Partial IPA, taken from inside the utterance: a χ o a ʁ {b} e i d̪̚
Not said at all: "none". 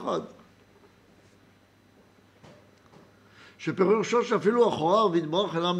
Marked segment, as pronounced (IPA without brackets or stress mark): v